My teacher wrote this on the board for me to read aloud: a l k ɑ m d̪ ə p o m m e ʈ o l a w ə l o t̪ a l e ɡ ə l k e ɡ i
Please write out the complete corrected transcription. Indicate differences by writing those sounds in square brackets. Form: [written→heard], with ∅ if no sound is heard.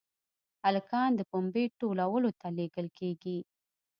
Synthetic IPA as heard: a l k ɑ [m→n] d̪ ə p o m [m→b] e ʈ o l a w ə l o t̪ a l e ɡ ə l k e ɡ i